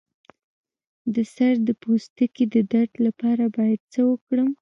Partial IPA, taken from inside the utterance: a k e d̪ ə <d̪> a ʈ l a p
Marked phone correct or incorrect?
correct